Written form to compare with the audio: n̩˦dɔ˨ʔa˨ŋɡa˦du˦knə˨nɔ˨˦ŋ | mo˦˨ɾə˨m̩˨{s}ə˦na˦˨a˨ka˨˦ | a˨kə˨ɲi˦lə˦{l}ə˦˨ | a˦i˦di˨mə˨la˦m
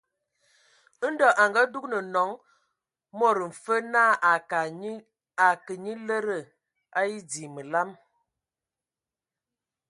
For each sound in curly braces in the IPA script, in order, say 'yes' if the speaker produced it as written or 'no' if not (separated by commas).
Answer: no, no